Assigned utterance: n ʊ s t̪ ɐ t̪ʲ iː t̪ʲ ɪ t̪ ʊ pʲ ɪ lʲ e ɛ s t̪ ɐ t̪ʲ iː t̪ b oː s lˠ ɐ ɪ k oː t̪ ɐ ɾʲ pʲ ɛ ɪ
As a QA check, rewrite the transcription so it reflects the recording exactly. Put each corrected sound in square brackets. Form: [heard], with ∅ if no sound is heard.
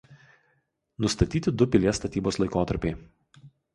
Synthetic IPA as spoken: n ʊ s t̪ ɐ t̪ʲ iː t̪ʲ ɪ [d̪] ʊ pʲ ɪ lʲ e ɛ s t̪ ɐ t̪ʲ iː [∅] b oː s lˠ ɐ ɪ k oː t̪ ɐ ɾʲ pʲ ɛ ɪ